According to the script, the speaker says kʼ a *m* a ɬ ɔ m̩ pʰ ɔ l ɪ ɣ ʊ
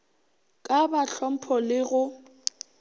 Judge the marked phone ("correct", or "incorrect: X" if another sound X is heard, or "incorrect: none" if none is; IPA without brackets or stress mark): incorrect: b